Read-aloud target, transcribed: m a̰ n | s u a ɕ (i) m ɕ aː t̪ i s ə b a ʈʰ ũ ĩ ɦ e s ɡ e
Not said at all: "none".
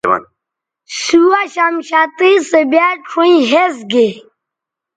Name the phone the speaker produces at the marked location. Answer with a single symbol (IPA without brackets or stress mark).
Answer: a